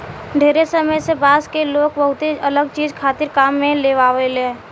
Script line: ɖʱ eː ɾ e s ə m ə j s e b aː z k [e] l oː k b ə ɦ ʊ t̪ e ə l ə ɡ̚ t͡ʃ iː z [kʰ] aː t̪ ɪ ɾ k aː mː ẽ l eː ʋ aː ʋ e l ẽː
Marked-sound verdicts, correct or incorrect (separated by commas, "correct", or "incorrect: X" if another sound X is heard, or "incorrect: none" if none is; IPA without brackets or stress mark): correct, correct